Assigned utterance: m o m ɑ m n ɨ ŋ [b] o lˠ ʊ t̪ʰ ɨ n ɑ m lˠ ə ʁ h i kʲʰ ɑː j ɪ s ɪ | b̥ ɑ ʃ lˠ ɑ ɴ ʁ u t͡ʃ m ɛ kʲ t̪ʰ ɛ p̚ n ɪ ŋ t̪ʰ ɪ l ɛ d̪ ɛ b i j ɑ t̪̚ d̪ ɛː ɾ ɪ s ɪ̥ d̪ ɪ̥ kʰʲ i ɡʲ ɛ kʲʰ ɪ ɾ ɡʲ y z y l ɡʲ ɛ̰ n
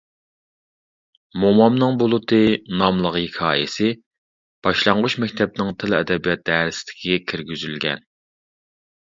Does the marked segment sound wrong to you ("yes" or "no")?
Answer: no